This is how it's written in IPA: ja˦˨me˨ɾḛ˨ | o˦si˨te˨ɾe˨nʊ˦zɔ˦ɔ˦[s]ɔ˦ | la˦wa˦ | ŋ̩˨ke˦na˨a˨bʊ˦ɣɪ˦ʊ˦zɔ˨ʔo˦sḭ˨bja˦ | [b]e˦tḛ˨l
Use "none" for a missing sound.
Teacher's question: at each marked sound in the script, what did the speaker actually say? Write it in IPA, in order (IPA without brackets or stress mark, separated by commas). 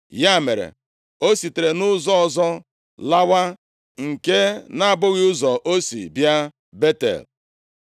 z, b